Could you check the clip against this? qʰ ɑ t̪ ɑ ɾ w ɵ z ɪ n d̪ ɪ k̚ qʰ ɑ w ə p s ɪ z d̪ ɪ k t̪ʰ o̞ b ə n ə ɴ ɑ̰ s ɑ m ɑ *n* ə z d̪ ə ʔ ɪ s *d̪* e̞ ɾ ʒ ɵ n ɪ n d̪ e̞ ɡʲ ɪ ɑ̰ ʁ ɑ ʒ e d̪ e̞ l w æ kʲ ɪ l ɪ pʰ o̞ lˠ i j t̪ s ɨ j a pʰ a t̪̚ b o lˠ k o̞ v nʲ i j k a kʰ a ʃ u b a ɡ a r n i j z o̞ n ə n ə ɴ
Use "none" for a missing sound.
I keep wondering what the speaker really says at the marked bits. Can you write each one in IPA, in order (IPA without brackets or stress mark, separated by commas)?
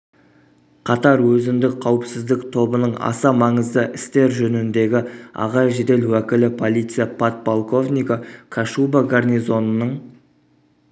ɴ, t̪